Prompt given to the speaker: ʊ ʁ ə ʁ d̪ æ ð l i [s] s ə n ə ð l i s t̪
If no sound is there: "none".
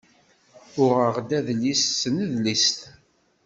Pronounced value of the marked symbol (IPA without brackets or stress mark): s